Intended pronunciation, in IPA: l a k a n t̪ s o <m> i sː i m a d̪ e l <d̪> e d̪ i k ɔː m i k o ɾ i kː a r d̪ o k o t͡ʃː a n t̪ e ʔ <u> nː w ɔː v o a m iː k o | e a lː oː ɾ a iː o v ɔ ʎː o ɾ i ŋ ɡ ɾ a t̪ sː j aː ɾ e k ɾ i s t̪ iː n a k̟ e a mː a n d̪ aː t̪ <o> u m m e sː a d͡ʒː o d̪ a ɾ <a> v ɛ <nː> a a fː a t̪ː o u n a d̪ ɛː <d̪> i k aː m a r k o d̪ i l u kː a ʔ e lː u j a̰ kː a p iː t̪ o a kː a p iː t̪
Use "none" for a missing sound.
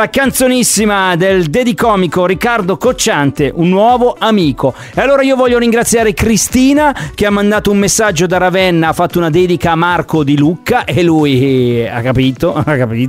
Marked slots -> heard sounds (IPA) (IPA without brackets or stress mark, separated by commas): n, d̪, u, o, a, nː, d̪